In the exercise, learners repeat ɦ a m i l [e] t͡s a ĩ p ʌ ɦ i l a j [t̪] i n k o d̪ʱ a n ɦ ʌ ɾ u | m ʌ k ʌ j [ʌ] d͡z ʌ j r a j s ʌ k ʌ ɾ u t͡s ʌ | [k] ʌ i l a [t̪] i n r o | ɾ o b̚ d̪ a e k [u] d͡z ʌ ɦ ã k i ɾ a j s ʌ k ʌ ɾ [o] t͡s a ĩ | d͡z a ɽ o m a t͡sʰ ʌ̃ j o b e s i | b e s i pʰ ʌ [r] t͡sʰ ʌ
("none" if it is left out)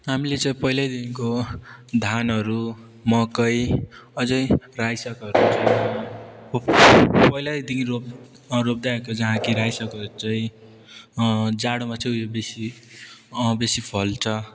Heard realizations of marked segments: e, d̪, ʌ, p, d̪, o, u, l

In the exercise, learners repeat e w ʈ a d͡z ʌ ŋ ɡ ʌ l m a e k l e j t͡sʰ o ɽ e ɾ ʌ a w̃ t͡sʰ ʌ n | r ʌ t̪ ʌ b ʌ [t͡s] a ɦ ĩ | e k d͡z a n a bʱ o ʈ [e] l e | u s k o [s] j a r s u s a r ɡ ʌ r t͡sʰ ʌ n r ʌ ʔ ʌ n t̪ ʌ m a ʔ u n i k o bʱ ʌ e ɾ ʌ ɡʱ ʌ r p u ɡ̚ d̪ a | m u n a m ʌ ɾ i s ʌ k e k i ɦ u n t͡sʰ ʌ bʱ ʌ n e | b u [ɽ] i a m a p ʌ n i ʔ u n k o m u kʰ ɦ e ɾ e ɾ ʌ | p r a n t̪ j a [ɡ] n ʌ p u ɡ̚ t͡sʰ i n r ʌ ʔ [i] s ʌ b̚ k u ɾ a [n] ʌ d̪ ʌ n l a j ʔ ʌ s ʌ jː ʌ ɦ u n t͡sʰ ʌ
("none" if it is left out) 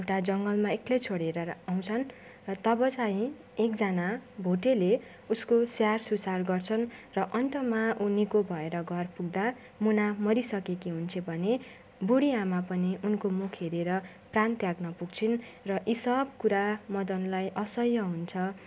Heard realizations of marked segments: t͡s, e, s, ɽ, ɡ, i, m

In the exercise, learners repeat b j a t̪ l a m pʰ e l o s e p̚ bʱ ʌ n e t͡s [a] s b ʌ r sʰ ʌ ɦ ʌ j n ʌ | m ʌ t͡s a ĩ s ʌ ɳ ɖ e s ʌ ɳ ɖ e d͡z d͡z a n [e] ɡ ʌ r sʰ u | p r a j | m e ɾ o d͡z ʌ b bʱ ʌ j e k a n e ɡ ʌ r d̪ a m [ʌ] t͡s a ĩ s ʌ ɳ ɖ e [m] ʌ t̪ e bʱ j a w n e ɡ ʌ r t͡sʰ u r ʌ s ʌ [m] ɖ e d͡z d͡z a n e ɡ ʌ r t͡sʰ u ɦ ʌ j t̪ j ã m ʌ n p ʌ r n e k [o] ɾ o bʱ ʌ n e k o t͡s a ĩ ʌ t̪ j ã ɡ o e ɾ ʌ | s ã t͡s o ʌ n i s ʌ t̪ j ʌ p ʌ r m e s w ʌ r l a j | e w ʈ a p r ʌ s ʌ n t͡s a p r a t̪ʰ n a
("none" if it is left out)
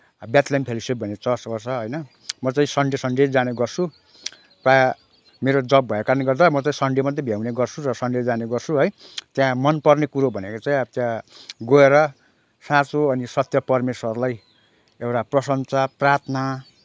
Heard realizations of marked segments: ʌ, e, ʌ, m, ɳ, u

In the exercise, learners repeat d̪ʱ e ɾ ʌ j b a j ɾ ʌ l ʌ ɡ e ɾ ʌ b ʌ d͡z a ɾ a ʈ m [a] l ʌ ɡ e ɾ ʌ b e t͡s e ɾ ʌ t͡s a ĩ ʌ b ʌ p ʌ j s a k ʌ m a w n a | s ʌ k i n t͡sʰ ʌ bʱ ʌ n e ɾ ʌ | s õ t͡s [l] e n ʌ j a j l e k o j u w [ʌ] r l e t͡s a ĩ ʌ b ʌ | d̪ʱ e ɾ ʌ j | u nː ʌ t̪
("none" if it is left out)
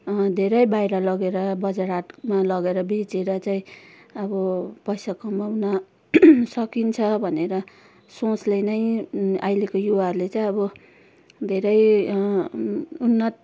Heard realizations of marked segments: a, l, a

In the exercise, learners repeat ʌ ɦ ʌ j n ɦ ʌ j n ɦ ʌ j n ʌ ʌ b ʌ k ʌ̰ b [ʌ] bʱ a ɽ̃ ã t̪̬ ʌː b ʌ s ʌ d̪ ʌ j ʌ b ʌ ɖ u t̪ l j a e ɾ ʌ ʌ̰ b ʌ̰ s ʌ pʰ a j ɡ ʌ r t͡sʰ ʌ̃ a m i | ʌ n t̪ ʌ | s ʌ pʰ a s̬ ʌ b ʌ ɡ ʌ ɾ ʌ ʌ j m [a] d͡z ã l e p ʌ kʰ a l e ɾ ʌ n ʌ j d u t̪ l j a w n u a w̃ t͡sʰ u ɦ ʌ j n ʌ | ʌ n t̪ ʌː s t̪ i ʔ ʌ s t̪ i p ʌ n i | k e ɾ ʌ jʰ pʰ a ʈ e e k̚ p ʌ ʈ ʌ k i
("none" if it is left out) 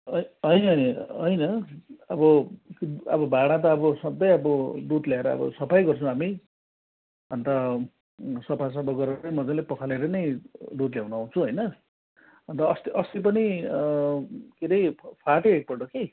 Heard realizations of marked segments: ʌ, ʌ

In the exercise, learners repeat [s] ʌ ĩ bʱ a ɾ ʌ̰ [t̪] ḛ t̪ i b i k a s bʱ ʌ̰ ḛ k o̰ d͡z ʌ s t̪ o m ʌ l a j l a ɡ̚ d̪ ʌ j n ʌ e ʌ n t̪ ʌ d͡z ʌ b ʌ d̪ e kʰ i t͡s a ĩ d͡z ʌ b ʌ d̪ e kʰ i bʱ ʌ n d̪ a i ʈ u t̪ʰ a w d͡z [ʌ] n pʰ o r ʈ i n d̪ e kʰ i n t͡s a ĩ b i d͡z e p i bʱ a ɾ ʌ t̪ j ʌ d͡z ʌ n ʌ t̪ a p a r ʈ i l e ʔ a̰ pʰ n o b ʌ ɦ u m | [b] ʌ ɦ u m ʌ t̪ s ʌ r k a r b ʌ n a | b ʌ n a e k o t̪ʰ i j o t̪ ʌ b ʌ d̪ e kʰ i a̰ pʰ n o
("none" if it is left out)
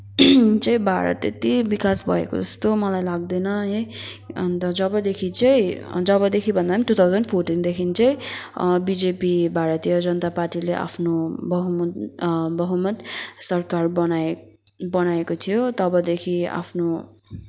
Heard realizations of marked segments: t͡s, t̪, ʌ, b

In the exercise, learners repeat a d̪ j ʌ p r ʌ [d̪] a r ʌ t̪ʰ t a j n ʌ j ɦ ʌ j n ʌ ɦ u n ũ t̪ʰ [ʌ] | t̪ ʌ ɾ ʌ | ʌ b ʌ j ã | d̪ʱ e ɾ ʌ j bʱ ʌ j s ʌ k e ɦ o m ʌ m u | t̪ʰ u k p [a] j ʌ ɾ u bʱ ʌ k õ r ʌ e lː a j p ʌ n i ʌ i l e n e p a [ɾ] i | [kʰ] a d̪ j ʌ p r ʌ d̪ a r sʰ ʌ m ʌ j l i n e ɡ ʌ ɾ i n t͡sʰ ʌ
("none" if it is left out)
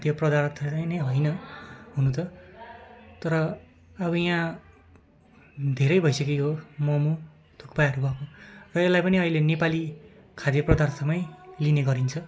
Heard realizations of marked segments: d̪, ʌ, a, l, kʰ

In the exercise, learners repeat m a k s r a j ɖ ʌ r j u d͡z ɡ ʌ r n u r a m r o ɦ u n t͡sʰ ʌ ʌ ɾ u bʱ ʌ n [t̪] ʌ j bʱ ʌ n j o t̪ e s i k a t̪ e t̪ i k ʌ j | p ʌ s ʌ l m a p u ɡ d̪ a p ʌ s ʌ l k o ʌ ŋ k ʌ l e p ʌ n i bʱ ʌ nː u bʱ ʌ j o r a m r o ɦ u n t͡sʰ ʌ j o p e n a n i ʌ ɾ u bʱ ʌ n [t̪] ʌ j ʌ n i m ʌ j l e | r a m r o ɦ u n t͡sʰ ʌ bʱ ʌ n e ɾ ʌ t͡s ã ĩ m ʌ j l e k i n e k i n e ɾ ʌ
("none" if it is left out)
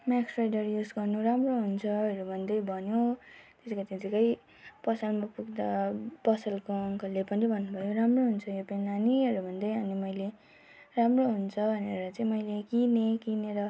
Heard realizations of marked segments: d̪, d̪

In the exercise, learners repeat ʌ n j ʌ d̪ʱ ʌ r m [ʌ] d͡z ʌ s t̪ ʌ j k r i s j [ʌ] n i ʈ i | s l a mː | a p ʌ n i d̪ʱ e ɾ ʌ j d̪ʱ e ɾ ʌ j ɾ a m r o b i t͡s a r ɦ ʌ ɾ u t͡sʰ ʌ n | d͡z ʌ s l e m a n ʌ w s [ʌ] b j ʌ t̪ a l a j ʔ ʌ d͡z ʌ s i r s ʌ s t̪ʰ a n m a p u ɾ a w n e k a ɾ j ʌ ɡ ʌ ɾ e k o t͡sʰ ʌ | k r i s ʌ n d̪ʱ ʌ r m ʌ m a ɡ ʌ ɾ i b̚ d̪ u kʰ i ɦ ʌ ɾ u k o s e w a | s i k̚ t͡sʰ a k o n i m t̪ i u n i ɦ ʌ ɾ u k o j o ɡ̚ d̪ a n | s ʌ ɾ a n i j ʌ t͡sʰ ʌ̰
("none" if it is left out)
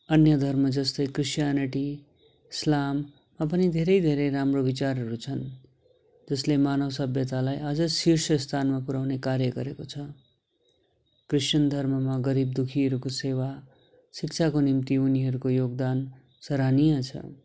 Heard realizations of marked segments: ʌ, a, ʌ

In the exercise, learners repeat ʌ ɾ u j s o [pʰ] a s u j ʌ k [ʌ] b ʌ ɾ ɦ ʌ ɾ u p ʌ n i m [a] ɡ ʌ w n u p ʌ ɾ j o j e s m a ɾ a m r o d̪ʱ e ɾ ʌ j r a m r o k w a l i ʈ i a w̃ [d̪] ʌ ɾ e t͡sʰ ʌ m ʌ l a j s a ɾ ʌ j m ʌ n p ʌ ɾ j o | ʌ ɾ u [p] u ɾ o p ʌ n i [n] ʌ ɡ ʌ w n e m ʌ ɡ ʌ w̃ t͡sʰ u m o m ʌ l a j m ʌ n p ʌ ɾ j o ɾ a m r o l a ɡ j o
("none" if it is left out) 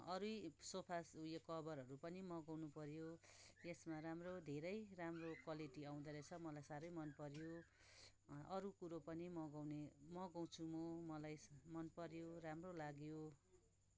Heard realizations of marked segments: pʰ, ʌ, ʌ, d̪, k, m

